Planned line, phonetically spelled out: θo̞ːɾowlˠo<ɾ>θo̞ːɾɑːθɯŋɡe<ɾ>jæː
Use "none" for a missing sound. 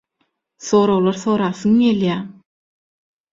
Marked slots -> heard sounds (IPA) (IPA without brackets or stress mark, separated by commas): ɾ, l